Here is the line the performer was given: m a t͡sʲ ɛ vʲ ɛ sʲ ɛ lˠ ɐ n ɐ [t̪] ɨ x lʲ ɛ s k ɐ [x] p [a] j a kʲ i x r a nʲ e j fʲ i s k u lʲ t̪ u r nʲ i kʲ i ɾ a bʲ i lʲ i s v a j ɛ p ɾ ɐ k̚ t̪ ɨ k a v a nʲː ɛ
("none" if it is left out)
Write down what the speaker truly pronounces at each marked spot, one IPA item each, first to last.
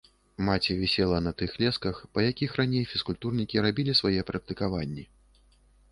t̪, x, ɐ

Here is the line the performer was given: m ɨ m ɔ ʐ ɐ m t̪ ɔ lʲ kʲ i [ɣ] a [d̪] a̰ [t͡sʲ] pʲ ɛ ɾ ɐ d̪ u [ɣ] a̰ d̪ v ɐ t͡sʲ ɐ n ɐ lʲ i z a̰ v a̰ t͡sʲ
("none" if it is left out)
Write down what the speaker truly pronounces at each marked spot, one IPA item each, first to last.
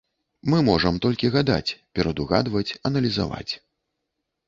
ɣ, d̪, t͡sʲ, ɣ

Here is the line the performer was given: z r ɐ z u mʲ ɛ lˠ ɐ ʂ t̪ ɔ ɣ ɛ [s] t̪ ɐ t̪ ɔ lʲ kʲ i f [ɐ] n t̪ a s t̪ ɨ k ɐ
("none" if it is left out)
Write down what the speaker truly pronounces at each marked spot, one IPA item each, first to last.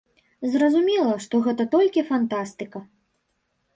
none, a

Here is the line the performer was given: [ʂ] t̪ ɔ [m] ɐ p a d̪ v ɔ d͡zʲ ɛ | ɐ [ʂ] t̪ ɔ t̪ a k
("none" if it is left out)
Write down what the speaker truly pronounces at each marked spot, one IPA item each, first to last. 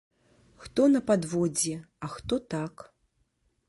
x, n, x

